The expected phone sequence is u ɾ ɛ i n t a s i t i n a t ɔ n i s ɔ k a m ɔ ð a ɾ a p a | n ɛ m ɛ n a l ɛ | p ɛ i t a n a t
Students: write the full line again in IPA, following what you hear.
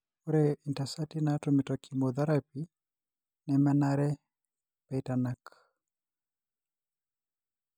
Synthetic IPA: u ɾ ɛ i n t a s a t i n a t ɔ m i t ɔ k i m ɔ ð a ɾ a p i | n ɛ m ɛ n a ɾ ɛ | p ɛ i t a n a k